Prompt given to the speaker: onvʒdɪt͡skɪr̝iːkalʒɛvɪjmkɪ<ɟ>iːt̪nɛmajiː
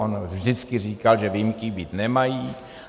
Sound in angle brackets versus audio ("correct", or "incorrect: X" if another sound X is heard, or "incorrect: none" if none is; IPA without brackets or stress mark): incorrect: b